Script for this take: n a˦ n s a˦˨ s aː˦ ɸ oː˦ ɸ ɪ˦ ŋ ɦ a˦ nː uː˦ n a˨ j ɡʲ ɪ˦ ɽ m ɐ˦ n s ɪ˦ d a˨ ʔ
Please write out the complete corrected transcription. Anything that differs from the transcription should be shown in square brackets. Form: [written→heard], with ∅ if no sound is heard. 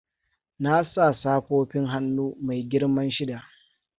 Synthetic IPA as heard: n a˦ [n→∅] s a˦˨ s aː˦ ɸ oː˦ ɸ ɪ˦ ŋ ɦ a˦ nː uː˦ [n→m] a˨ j ɡʲ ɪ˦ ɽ m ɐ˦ n [s→ʃ] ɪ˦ d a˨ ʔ